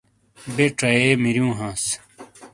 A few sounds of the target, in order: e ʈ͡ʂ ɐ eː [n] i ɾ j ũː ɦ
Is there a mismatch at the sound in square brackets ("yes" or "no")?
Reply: yes